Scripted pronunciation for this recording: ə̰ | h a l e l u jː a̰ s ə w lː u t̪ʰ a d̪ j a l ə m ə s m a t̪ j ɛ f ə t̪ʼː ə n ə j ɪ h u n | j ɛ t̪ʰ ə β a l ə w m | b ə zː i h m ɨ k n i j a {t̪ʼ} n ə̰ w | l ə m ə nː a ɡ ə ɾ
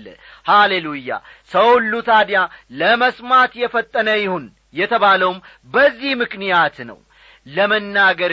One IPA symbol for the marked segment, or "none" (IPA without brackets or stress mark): t̪